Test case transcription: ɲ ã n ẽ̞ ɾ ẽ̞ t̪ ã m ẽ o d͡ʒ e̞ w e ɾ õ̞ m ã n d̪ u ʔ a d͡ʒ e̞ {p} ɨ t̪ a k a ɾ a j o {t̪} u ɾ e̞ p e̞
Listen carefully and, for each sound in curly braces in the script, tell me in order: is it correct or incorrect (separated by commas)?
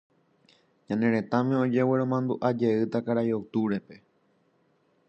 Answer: incorrect, correct